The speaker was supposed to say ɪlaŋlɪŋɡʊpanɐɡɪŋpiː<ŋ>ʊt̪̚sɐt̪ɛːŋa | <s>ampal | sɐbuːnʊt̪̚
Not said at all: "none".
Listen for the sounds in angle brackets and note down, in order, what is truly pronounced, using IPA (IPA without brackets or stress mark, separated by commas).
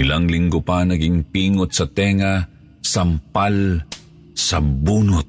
ŋ, s